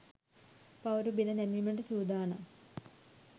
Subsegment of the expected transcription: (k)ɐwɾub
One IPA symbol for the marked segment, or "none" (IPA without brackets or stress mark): p